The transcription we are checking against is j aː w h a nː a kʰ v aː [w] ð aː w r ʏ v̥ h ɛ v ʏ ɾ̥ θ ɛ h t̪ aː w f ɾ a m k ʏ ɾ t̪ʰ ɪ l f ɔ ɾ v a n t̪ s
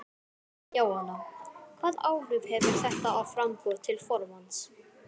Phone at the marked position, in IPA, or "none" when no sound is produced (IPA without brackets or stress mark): none